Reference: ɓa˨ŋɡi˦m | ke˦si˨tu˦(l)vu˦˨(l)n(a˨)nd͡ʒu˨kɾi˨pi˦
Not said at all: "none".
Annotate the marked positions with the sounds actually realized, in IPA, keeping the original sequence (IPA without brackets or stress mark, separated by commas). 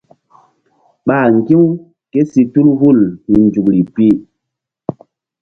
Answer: l, l, i˨